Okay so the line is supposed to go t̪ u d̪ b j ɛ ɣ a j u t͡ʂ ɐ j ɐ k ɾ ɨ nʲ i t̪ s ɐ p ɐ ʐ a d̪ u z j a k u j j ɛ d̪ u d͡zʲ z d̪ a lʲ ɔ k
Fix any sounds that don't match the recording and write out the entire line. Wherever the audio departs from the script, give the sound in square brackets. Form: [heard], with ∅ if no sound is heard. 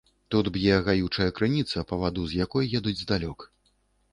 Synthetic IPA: t̪ u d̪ b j ɛ ɣ a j u t͡ʂ ɐ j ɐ k ɾ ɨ nʲ i t̪ s ɐ p ɐ [v] a d̪ u z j a k [ɔ] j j ɛ d̪ u d͡zʲ z d̪ a lʲ ɔ k